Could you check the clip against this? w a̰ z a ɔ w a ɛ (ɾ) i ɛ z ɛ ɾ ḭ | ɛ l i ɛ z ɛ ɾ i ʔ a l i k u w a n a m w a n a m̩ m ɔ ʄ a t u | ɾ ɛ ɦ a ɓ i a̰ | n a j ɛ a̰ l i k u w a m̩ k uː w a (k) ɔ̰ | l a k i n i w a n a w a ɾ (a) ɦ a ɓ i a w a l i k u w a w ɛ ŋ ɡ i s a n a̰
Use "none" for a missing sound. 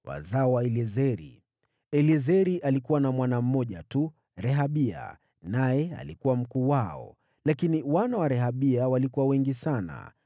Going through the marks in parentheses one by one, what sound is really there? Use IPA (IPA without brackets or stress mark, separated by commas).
l, none, ɛ